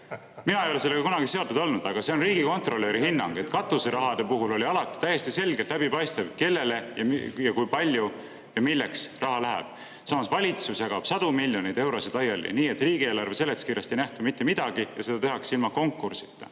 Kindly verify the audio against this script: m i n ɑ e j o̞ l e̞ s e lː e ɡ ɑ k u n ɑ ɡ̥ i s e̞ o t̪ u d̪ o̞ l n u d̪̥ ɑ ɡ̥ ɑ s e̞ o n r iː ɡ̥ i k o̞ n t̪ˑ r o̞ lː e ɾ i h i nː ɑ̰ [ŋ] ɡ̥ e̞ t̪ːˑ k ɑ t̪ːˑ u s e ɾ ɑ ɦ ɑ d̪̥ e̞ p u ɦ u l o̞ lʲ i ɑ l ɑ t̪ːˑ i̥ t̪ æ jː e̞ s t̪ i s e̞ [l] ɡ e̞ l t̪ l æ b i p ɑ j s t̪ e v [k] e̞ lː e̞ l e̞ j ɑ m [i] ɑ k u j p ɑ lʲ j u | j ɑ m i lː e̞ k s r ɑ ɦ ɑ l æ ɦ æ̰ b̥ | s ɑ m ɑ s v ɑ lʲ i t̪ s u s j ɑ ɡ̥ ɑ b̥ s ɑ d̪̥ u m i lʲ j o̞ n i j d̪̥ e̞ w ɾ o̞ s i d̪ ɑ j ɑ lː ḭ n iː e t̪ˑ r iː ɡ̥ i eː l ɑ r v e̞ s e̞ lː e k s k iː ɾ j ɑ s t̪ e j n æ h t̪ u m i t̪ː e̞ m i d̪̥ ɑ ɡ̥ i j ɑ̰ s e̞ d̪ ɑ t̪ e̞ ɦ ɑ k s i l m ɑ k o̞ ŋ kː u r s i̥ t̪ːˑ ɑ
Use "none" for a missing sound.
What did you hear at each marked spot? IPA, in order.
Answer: ŋ, l, k, j

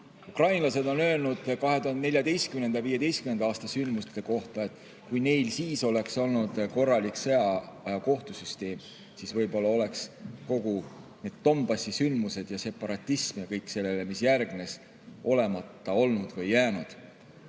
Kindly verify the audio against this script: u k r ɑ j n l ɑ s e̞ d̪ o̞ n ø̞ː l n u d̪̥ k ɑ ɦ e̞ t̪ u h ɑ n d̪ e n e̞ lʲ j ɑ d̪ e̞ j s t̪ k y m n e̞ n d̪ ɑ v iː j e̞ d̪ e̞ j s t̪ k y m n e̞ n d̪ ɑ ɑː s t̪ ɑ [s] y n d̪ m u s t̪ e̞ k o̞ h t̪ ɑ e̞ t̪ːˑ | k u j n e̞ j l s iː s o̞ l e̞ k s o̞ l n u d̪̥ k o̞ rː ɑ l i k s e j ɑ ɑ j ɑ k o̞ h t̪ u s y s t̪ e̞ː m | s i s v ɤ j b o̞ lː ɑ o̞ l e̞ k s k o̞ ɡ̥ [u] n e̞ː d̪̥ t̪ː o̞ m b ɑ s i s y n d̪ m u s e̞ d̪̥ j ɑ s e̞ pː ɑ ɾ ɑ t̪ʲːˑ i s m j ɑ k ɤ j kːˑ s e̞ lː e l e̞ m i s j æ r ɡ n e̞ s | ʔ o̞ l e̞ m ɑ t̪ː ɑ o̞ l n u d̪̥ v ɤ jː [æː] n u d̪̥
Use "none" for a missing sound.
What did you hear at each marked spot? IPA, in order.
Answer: s, u, æː

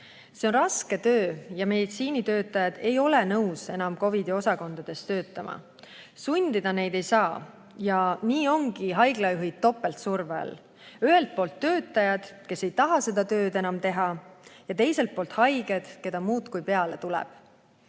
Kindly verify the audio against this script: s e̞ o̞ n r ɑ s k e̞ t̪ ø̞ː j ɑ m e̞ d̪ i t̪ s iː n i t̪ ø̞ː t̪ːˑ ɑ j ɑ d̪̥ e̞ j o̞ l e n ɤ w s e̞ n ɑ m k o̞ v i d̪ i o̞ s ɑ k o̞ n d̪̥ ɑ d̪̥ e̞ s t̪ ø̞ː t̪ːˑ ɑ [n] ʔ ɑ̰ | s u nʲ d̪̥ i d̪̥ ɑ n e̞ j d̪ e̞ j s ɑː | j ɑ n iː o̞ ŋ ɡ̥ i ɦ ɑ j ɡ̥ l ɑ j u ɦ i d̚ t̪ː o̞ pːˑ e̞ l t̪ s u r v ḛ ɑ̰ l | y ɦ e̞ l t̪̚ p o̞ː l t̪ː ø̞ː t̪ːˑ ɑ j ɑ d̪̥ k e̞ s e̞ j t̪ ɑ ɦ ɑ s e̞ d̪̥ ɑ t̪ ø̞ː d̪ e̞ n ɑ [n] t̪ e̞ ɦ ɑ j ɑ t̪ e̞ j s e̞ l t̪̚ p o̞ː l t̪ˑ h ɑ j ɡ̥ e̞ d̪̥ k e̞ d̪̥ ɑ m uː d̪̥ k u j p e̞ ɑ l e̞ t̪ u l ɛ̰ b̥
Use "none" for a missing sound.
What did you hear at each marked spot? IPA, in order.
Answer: m, m

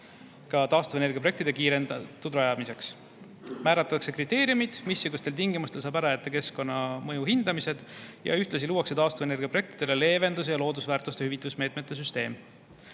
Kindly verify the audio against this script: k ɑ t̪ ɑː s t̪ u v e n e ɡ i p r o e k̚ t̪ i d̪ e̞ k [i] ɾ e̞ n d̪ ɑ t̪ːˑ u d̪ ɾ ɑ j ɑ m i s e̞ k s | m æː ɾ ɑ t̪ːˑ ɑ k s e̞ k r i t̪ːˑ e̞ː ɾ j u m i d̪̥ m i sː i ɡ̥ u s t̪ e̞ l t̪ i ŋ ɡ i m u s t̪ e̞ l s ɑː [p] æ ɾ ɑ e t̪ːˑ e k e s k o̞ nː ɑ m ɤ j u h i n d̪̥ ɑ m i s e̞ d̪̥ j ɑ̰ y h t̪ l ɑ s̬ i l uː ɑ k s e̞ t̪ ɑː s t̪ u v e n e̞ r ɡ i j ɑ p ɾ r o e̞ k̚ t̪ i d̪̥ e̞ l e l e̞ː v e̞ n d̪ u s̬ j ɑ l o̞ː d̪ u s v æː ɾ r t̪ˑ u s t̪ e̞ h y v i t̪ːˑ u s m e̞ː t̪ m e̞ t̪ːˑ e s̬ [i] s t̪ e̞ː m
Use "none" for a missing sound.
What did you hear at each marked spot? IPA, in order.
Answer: iː, b, y

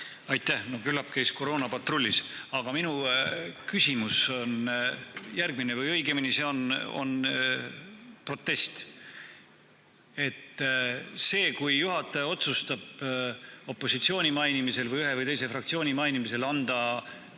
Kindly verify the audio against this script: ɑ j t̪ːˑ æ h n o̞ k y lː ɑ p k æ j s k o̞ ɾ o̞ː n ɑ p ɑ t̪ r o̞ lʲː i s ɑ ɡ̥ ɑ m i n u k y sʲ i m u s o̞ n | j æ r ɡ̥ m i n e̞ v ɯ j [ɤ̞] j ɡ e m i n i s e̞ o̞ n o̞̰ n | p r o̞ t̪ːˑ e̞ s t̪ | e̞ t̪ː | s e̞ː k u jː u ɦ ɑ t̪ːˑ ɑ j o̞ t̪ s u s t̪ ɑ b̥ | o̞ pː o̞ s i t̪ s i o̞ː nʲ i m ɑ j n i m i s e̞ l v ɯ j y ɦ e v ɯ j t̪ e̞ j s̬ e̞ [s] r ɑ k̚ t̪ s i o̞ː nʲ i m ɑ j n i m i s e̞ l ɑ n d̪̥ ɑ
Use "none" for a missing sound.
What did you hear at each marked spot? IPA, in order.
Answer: ɤ̞, f

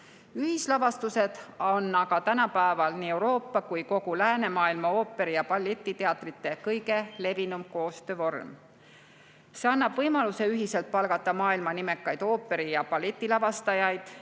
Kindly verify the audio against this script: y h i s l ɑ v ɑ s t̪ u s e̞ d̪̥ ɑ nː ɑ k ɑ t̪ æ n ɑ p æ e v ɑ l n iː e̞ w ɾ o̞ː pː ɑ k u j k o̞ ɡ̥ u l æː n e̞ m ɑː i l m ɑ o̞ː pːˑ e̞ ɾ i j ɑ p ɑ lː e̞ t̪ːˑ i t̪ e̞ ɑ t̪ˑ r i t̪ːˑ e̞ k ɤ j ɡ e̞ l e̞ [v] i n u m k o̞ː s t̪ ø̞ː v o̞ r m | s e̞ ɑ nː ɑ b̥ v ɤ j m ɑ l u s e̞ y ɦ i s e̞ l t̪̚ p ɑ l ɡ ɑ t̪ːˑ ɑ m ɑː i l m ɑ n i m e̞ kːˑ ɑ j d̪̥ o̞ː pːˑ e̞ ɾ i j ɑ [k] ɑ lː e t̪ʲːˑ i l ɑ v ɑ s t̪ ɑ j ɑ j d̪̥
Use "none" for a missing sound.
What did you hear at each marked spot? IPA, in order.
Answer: v, p

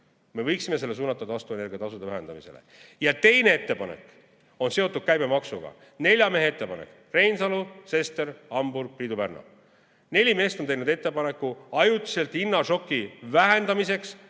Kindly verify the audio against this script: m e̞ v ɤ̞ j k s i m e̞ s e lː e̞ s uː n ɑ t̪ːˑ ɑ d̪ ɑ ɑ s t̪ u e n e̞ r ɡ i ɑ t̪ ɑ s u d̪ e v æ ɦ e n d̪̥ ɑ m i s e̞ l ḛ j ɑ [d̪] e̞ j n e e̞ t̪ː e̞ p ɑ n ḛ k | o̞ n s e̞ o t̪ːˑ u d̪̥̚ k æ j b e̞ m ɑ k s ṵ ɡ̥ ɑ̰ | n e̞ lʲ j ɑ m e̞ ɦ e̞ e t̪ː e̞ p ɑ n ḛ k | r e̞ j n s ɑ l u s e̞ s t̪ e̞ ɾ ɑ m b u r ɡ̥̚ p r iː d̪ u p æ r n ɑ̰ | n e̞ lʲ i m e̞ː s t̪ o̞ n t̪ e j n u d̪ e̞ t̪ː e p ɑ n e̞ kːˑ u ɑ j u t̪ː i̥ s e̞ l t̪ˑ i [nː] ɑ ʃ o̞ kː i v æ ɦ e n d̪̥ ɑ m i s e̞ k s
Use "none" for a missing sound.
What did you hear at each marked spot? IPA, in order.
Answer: t̪, nː

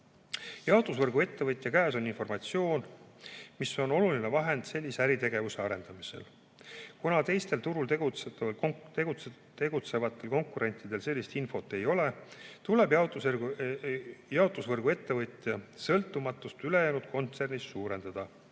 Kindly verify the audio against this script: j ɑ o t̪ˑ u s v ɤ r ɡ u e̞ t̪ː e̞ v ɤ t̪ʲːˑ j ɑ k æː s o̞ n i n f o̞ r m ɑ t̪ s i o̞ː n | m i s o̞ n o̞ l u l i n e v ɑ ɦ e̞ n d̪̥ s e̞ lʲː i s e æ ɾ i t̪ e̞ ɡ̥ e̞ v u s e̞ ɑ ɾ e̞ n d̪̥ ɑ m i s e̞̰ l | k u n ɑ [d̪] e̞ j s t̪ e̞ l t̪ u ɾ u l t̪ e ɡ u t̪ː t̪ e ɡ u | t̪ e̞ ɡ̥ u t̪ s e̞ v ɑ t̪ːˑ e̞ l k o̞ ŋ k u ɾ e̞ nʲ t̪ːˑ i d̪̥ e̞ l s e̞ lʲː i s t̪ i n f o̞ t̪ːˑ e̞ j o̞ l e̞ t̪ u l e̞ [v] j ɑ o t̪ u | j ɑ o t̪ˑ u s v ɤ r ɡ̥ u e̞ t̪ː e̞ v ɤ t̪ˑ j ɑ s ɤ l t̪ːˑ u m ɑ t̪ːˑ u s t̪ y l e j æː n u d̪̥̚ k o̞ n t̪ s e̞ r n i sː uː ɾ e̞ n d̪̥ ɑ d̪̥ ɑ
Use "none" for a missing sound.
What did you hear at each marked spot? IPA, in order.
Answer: t̪, b

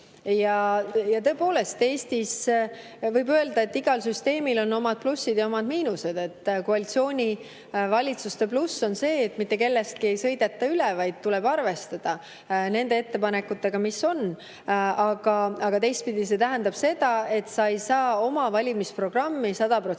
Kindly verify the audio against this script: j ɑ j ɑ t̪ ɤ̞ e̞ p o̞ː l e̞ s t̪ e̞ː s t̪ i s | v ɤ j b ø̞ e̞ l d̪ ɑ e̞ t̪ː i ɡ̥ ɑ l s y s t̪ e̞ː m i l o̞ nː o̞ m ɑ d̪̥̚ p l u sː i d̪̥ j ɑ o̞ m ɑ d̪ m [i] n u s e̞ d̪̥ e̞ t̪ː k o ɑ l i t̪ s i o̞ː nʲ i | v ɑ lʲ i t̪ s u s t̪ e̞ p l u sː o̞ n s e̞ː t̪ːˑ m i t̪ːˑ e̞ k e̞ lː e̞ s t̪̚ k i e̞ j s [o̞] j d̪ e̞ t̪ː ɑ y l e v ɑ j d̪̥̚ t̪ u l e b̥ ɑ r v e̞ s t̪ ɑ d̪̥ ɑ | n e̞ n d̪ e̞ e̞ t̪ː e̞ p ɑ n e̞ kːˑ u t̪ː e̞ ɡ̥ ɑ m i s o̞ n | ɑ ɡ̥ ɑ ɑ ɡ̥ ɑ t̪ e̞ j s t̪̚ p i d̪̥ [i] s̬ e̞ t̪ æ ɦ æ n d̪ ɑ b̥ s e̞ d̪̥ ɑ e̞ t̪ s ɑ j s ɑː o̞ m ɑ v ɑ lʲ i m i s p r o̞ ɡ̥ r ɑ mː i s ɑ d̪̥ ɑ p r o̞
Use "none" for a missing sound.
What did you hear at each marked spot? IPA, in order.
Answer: iː, ɤ̞, i

